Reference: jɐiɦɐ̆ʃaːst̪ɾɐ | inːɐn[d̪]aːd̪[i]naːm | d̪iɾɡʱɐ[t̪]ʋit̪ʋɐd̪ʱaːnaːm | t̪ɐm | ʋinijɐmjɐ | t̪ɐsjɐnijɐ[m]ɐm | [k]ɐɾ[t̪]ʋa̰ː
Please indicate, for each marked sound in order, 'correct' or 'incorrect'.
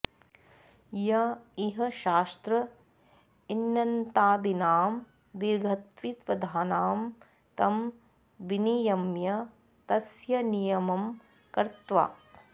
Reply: incorrect, correct, correct, correct, correct, correct

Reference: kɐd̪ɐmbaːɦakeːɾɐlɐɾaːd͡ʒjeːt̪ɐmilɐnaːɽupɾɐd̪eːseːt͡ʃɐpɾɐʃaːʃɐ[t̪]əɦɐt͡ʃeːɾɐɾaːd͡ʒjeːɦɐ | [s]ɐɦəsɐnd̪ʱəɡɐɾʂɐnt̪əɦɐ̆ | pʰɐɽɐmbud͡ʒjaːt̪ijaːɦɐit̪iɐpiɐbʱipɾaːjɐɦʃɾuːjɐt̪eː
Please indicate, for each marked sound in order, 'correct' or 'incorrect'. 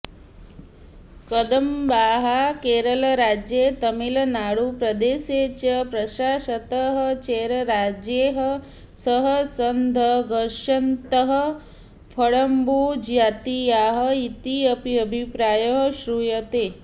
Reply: correct, correct

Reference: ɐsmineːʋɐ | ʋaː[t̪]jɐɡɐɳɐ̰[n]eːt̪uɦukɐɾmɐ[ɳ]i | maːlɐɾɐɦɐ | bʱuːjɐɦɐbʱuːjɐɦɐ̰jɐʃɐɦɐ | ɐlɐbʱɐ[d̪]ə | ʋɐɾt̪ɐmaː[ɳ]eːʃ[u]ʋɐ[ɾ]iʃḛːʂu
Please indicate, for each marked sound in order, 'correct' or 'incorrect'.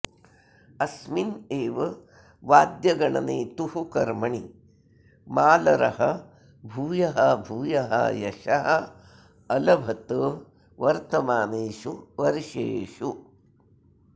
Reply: incorrect, correct, correct, incorrect, incorrect, correct, correct

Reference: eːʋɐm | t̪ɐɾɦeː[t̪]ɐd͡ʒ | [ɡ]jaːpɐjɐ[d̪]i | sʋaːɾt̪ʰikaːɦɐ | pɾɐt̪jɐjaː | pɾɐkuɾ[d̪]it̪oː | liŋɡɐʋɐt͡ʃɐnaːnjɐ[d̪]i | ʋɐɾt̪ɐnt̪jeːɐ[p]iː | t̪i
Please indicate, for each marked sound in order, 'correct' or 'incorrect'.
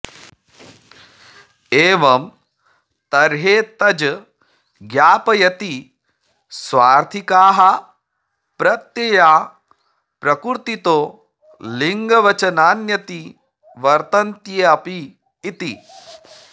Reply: correct, correct, incorrect, incorrect, incorrect, correct

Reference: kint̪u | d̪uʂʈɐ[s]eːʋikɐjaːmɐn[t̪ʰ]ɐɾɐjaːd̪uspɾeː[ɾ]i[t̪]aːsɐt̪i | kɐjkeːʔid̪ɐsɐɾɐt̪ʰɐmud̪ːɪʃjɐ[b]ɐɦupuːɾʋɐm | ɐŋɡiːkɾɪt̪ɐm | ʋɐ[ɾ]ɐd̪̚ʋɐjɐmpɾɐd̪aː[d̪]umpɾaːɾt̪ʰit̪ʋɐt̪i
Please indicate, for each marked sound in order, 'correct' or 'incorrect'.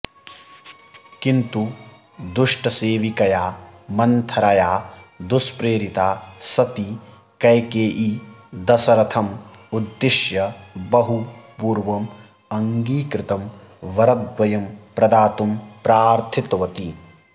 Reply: correct, correct, correct, correct, correct, correct, incorrect

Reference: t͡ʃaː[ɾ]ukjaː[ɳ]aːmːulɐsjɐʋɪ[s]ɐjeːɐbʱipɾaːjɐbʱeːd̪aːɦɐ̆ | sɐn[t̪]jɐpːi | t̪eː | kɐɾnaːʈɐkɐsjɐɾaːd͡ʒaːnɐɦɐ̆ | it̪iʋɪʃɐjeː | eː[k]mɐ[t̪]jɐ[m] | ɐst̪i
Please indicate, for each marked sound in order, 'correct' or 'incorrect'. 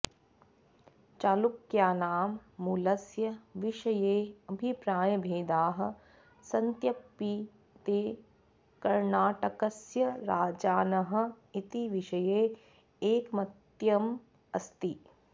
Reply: incorrect, incorrect, incorrect, correct, correct, correct, correct

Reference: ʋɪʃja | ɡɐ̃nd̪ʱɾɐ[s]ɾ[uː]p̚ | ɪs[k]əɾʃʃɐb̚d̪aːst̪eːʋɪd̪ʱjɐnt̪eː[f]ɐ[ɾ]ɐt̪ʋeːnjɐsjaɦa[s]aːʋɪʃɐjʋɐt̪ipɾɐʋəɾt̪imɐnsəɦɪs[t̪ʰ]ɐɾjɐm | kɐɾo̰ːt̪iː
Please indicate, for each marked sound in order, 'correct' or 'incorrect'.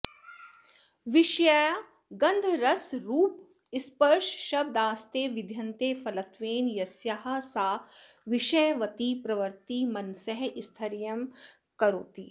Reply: correct, correct, incorrect, correct, incorrect, correct, correct

